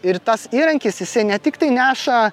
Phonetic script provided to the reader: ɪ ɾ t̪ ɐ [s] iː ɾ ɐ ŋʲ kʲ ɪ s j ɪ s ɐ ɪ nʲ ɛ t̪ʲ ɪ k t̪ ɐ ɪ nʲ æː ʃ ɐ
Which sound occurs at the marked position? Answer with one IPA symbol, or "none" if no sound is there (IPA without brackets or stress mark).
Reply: s